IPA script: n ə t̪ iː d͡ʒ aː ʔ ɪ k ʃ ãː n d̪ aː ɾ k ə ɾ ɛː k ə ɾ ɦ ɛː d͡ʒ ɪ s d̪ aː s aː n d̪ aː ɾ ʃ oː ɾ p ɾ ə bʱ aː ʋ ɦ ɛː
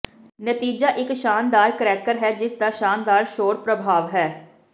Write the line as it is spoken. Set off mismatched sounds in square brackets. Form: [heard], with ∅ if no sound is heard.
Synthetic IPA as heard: n ə t̪ iː d͡ʒ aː ʔ ɪ k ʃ [aː] n d̪ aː ɾ k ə ɾ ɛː k ə ɾ ɦ ɛː d͡ʒ ɪ s d̪ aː [ʃ] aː n d̪ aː ɾ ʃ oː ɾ p ɾ ə bʱ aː ʋ ɦ ɛː